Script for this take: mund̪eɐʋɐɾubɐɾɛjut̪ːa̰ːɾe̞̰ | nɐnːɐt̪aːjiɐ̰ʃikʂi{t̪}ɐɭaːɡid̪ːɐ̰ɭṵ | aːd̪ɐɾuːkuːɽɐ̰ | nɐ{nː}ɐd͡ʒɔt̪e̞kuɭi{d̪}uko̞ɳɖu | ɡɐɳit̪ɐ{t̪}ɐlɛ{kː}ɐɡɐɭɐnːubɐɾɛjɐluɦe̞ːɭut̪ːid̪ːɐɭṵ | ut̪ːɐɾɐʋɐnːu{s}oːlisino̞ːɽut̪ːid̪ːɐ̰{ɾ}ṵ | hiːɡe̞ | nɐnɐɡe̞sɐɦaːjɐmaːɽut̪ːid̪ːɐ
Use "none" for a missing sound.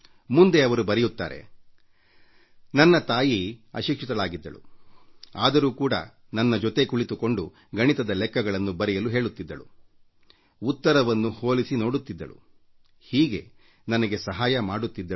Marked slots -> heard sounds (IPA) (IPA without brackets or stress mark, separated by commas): t̪, nː, t̪, d̪, kː, h, ɭ